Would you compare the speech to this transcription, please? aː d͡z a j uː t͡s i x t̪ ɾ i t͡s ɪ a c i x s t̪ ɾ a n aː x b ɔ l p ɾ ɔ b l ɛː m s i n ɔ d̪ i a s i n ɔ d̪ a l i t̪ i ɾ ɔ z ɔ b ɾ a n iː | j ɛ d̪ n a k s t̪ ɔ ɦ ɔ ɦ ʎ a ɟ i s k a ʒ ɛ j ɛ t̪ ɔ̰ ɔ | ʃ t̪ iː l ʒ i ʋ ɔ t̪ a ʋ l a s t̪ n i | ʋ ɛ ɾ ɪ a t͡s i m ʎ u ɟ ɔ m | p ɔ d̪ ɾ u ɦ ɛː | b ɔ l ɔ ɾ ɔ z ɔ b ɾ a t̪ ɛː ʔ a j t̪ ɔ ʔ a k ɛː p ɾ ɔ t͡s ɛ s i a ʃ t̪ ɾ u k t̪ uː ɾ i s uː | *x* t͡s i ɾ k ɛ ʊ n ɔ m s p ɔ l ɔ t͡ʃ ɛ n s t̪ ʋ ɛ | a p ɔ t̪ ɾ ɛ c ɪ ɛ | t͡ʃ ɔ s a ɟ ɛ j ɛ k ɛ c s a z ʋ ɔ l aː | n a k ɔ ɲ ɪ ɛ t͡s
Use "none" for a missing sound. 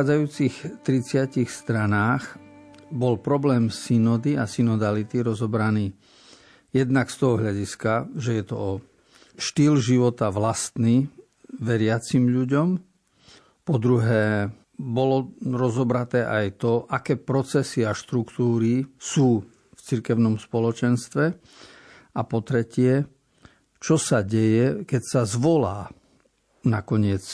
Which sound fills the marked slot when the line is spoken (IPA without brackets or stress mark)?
f